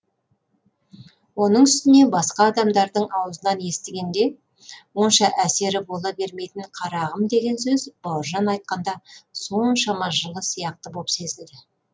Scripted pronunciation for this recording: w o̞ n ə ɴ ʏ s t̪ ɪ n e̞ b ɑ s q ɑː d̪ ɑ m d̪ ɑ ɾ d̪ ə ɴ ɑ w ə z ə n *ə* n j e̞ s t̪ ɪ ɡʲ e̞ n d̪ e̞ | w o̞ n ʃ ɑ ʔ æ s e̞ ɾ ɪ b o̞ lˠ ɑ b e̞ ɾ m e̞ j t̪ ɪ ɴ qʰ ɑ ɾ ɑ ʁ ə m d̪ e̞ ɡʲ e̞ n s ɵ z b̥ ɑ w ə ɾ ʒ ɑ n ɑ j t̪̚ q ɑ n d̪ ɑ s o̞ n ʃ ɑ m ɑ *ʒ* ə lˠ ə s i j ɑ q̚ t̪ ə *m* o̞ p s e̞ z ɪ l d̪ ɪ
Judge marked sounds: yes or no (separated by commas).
no, yes, no